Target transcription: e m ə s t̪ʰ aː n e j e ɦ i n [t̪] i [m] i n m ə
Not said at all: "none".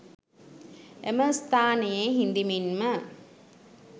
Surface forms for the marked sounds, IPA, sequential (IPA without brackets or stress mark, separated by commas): d̪, m